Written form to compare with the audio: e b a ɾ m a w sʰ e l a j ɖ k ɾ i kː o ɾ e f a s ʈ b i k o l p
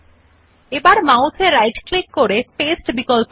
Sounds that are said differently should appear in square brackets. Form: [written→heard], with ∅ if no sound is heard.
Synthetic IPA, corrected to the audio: e b a ɾ m a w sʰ e [l→ɾ] a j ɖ k [ɾ→l] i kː o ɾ e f [a→e] s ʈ b i k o l p